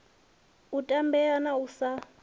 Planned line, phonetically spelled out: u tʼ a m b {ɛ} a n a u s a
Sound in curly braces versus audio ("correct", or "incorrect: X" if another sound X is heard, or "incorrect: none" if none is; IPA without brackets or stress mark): correct